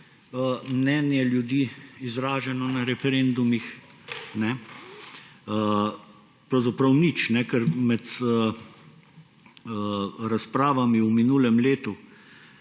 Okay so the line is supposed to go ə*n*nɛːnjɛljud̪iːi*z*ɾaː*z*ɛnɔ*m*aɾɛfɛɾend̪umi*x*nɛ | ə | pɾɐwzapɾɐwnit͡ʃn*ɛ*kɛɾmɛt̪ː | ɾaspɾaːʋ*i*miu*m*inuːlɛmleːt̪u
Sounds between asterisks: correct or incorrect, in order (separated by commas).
incorrect, correct, incorrect, incorrect, correct, correct, incorrect, correct